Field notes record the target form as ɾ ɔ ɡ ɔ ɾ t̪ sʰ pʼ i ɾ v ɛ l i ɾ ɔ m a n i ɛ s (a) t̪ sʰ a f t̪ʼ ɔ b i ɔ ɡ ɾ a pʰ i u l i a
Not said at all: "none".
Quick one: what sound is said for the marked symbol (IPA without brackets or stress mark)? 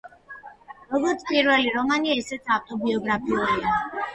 ɛ